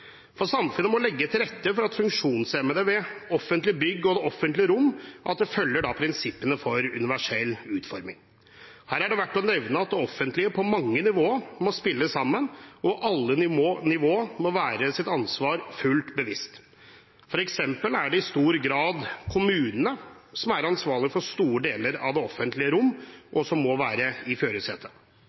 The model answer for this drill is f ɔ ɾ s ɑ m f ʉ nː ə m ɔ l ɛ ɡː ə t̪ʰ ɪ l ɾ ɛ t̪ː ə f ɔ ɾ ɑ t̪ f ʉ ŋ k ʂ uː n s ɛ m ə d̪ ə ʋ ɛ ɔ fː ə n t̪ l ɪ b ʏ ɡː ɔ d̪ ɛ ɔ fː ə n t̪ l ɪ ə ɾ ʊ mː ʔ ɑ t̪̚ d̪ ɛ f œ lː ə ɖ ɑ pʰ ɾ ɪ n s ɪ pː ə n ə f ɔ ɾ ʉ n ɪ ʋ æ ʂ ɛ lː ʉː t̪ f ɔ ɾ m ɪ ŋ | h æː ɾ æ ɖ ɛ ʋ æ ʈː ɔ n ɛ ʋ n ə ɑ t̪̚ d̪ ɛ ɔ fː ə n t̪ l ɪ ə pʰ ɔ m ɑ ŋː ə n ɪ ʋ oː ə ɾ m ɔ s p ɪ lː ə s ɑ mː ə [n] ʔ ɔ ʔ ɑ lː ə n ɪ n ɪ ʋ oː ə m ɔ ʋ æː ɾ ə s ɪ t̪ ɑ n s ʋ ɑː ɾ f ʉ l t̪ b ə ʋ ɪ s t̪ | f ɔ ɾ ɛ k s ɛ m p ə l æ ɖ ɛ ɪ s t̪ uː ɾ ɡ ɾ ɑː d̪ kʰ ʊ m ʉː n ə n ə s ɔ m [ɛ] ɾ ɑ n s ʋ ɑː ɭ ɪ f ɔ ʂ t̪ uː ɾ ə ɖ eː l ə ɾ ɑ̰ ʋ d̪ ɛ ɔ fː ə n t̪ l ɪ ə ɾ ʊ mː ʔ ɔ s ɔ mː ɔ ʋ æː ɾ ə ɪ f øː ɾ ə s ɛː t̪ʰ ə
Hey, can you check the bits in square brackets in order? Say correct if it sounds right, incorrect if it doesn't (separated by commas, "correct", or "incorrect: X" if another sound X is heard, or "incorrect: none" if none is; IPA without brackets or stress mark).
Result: correct, incorrect: æ